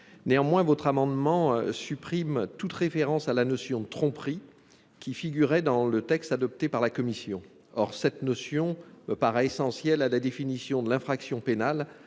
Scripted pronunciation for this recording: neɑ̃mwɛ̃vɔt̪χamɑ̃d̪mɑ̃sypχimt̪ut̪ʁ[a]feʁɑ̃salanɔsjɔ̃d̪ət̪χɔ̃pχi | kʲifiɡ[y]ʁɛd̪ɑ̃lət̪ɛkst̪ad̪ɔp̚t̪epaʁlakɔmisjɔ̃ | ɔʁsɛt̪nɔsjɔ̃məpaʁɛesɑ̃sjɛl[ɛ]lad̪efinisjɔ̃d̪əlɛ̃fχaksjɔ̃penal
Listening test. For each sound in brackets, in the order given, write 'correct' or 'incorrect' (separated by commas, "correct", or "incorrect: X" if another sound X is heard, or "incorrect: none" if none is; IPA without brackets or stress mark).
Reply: incorrect: e, correct, incorrect: a